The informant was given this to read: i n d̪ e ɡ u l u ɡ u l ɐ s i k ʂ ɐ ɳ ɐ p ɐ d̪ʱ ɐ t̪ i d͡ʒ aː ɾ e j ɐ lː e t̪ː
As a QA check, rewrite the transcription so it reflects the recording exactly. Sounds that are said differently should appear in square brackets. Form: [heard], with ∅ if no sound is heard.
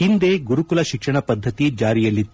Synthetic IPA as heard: i n d̪ e ɡ u [ɾ] u [k] u l ɐ [ʃ] i k ʂ ɐ ɳ ɐ p ɐ [d̪ʱː] ɐ t̪ i d͡ʒ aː ɾ [i] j ɐ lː [i] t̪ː

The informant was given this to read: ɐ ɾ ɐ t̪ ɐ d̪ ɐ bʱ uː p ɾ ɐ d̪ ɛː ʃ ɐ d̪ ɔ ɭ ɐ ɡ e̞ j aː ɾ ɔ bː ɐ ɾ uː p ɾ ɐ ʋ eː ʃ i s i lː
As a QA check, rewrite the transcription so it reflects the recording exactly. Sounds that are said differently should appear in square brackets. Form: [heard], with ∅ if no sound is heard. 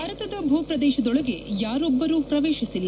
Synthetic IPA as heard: ɐ ɾ ɐ t̪ ɐ d̪ ɐ bʱ uː p ɾ ɐ d̪ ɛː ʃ ɐ d̪ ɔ ɭ ɐ ɡ e̞ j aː ɾ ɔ bː ɐ ɾ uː p ɾ ɐ ʋ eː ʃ i s i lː

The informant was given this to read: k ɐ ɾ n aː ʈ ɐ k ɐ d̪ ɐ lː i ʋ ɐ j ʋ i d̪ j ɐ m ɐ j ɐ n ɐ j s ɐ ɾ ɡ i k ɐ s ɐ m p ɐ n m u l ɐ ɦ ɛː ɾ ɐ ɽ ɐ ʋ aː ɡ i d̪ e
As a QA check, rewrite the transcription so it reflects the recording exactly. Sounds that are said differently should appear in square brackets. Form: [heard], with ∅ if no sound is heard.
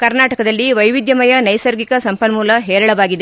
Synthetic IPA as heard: k ɐ ɾ n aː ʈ ɐ k ɐ d̪ ɐ lː i ʋ ɐ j ʋ i d̪ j ɐ m ɐ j ɐ n ɐ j s ɐ ɾ ɡ i k ɐ s ɐ m p ɐ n m [uː] l ɐ ɦ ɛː ɾ ɐ [ɭ] ɐ ʋ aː ɡ i d̪ e

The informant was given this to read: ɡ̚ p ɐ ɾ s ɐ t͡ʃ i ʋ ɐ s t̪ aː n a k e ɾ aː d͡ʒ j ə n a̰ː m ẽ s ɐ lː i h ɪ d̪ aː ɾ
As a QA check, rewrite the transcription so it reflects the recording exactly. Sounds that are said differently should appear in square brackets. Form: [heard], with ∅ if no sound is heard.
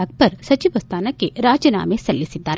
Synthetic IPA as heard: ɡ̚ p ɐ ɾ s ɐ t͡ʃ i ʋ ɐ s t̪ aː n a k e ɾ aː d͡ʒ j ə n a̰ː m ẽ s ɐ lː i [s] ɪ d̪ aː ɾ

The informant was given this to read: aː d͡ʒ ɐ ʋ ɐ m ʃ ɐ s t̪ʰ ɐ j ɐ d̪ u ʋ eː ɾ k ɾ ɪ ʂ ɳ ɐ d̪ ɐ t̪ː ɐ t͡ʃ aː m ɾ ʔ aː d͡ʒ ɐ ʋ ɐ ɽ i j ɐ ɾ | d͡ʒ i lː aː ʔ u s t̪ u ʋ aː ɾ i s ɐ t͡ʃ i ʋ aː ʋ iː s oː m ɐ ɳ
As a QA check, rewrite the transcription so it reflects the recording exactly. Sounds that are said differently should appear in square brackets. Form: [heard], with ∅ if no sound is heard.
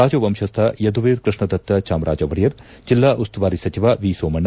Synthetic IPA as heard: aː d͡ʒ ɐ ʋ ɐ m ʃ ɐ s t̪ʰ ɐ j ɐ d̪ u ʋ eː ɾ k ɾ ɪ ʂ ɳ ɐ d̪ ɐ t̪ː ɐ t͡ʃ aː m ɾ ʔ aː d͡ʒ ɐ ʋ ɐ ɽ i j ɐ ɾ | d͡ʒ i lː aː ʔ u s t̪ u ʋ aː ɾ i s ɐ t͡ʃ i ʋ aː ʋ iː s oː m ɐ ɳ

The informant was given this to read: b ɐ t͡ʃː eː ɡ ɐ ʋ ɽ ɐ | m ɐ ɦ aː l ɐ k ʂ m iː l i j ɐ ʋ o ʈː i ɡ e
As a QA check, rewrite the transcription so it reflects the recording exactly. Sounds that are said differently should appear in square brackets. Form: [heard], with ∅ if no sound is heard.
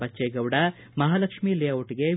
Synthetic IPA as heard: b ɐ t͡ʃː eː ɡ ɐ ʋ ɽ ɐ | m ɐ ɦ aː l ɐ k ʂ m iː l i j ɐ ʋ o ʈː i ɡ e

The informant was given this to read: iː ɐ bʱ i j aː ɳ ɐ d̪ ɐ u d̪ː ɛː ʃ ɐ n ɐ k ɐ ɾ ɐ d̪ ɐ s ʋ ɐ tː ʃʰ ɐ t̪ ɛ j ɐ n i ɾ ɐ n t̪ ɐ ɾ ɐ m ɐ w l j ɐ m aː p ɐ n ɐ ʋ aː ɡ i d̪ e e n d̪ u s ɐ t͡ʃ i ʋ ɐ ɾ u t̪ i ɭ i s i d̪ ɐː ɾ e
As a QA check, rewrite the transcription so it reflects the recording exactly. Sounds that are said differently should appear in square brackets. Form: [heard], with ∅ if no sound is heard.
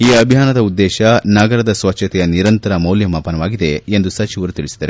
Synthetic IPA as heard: iː ɐ bʱ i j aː [n] ɐ d̪ ɐ u d̪ː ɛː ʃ ɐ n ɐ [ɡ] ɐ ɾ ɐ d̪ ɐ s ʋ ɐ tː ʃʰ ɐ t̪ ɛ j ɐ n i ɾ ɐ n t̪ ɐ ɾ ɐ m ɐ w l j ɐ m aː p ɐ n ɐ ʋ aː ɡ i d̪ e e n d̪ u s ɐ t͡ʃ i ʋ ɐ ɾ u t̪ i ɭ i s i d̪ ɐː ɾ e

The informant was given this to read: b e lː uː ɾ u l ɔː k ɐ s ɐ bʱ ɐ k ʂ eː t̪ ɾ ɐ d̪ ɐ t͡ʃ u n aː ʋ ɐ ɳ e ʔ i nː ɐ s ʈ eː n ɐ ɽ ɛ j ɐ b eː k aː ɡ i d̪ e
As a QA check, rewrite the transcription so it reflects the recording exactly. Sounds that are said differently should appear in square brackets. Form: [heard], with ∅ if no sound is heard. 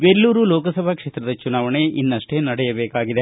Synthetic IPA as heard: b e lː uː ɾ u l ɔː k ɐ s ɐ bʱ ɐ k ʂ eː t̪ ɾ ɐ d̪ ɐ t͡ʃ u n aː ʋ ɐ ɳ e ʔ i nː ɐ [ʂ] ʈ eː n ɐ ɽ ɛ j ɐ b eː k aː ɡ i d̪ e

